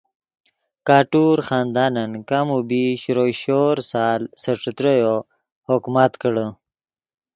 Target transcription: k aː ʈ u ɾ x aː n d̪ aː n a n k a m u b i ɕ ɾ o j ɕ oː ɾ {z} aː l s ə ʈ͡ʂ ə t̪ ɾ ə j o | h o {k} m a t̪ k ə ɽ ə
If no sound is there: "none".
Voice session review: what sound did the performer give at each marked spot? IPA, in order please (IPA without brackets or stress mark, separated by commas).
s, k